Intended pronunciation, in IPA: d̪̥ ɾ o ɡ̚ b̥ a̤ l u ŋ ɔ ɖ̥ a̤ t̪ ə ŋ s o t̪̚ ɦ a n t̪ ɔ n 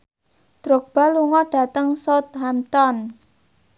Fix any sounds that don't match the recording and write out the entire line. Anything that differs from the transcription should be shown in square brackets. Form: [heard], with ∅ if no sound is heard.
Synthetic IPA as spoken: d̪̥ ɾ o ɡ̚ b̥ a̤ l u ŋ ɔ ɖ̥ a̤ t̪ ə ŋ s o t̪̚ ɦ a [m] t̪ ɔ n